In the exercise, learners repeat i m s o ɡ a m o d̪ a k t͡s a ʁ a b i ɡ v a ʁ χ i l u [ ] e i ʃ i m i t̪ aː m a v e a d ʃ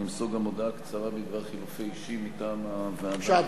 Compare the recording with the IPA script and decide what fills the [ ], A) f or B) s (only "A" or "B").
A